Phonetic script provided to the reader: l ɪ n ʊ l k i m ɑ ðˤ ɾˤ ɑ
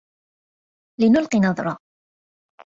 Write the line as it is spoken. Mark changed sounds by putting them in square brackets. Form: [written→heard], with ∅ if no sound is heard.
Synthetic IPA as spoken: l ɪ n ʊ l [k→q] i [m→n] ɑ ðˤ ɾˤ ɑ